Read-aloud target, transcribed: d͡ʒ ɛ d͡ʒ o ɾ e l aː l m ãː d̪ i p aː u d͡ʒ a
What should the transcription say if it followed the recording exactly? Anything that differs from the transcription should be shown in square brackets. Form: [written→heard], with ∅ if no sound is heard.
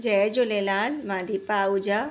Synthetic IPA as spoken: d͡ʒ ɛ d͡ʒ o [ɾ→l] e l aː l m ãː d̪ i p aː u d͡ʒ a